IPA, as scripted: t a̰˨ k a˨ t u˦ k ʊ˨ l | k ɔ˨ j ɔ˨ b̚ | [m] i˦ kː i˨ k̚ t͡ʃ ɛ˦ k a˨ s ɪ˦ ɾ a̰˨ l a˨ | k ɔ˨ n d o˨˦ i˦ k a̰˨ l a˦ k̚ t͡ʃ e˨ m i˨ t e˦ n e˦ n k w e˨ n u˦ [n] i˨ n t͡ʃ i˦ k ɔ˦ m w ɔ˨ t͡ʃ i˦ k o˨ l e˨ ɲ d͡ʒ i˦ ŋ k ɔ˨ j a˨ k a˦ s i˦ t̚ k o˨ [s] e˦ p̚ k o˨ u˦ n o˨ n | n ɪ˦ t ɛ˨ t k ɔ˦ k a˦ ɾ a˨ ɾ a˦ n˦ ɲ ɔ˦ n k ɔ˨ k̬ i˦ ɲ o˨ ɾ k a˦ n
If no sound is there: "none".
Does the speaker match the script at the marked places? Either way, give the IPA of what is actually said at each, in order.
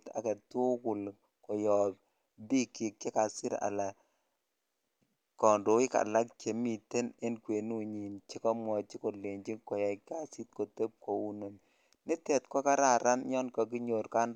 b, ɲ, t

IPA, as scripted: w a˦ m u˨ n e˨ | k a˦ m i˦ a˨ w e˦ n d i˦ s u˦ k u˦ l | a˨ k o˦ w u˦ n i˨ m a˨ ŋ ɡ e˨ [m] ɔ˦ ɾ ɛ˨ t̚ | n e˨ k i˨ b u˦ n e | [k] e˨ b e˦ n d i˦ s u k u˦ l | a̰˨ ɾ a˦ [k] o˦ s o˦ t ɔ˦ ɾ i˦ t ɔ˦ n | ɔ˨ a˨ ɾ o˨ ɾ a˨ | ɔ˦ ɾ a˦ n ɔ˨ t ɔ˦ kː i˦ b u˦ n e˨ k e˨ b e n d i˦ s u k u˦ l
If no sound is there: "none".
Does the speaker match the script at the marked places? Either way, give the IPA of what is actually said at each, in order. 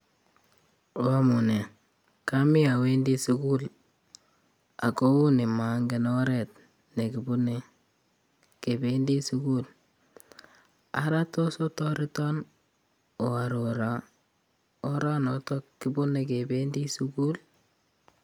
n, k, t

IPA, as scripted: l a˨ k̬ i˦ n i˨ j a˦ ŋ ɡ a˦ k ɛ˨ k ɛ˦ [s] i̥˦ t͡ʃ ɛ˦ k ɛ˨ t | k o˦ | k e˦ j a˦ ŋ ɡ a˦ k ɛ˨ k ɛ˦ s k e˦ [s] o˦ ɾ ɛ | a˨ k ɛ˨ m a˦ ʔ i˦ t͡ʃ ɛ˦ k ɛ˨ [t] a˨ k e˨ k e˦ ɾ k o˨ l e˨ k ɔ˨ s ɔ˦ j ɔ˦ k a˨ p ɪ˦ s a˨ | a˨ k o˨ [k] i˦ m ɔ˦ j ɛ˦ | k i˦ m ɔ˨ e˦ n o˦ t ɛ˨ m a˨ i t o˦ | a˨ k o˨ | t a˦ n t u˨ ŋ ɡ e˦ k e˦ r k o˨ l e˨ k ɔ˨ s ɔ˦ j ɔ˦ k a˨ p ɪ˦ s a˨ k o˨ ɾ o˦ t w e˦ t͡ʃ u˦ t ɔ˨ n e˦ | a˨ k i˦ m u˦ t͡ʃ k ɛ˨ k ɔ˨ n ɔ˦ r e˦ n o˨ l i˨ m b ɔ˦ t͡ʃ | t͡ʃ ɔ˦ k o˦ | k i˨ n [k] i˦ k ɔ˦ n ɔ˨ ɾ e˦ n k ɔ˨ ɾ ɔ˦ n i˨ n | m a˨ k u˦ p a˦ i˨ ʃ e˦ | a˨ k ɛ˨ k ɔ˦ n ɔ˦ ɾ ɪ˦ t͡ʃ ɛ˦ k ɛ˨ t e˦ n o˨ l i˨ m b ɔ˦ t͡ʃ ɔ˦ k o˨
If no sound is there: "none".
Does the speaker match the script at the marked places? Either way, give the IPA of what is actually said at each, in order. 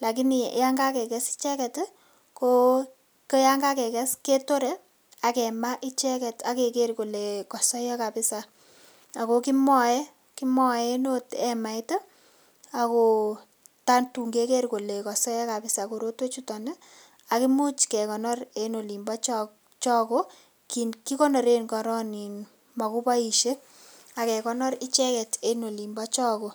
s, t, t, k, k

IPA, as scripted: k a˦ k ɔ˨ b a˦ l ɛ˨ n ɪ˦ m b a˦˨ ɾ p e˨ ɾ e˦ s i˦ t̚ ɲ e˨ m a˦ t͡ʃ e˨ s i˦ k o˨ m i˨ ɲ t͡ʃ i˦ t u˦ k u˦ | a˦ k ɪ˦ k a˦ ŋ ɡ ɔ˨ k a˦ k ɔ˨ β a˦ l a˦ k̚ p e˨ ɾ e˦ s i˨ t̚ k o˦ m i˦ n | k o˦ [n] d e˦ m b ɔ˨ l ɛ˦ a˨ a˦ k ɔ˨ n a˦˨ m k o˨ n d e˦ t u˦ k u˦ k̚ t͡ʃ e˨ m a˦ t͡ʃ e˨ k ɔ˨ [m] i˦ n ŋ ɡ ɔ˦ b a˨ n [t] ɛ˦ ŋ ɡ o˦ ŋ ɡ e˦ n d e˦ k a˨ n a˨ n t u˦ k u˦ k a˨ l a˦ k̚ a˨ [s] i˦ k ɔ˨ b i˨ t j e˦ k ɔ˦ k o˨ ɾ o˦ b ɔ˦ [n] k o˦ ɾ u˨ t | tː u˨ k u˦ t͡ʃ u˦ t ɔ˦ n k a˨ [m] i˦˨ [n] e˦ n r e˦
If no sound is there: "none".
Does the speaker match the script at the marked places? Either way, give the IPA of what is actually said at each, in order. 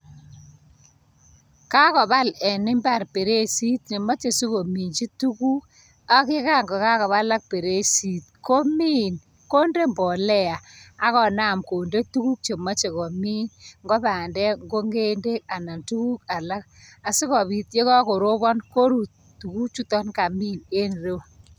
n, m, d, s, n, m, n

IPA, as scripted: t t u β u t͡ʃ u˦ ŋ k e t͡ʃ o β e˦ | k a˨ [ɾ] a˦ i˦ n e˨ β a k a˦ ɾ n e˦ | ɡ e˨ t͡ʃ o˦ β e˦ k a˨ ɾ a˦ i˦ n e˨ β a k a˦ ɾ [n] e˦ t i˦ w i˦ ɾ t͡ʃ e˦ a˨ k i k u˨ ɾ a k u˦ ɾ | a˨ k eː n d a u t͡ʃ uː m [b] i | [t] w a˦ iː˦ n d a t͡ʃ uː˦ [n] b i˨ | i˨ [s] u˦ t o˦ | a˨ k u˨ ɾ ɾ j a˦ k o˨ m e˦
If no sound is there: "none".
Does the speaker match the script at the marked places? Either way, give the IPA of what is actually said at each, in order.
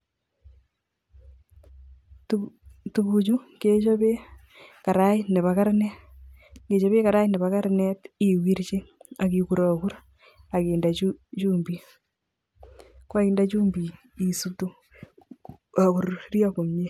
ɾ, n, b, k, m, s

